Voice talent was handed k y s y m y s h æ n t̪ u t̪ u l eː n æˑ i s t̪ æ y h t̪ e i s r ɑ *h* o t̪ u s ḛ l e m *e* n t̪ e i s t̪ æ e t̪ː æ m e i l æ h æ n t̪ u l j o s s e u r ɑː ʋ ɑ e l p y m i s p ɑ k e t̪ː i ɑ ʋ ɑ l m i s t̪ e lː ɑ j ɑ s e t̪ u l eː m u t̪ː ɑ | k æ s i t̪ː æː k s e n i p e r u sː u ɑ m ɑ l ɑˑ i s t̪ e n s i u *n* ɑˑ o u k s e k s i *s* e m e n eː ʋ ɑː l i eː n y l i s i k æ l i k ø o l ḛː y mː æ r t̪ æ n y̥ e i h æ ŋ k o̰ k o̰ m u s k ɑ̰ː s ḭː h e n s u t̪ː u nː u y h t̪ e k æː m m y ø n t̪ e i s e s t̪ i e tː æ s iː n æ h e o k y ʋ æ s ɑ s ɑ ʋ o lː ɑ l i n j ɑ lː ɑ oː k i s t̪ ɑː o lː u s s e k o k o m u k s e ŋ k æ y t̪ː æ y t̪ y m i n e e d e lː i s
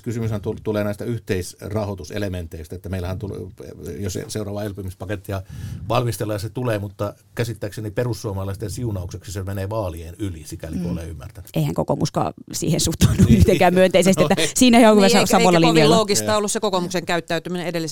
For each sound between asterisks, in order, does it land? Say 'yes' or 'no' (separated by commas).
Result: yes, yes, yes, yes